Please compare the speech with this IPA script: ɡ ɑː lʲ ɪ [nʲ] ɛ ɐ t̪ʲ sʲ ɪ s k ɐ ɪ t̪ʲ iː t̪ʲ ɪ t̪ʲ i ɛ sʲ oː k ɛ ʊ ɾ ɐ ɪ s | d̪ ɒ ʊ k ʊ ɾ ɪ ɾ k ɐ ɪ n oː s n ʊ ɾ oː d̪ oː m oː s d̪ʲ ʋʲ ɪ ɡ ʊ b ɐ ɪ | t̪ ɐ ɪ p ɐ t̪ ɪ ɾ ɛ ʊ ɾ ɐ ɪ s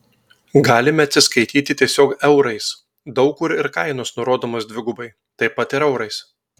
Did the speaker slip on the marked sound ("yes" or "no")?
yes